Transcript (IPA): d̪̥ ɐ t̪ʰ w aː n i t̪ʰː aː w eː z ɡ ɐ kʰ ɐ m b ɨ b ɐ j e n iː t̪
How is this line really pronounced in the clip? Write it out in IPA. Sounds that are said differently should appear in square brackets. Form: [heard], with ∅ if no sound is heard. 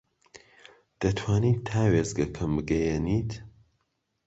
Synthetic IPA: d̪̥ ɐ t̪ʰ w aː n i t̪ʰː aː w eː z ɡ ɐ kʰ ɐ m b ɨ [ɡ] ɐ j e n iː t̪